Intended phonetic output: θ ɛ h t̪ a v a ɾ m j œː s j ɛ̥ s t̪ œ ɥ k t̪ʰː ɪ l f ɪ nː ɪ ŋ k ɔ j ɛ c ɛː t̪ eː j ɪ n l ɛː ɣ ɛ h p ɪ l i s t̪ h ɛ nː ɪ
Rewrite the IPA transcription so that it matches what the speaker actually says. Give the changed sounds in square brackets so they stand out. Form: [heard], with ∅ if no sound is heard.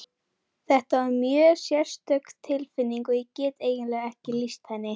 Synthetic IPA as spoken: θ ɛ h t̪ a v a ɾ m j œː s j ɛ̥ s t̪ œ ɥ k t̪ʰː ɪ l f ɪ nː [i] ŋ k ɔ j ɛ c ɛː t̪ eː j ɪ n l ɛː ɣ ɛ h [c] ɪ l i s t̪ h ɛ nː ɪ